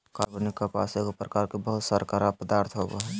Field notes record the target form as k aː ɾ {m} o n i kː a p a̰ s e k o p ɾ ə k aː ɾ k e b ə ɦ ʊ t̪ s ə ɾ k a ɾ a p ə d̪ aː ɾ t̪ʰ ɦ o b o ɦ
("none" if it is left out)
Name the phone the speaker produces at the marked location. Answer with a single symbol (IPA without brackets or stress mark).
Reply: b